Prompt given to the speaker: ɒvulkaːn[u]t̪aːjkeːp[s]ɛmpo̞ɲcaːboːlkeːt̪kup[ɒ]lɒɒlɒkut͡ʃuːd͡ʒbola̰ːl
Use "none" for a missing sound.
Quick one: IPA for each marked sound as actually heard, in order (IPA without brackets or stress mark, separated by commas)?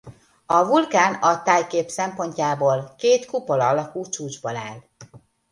ɒ, s, o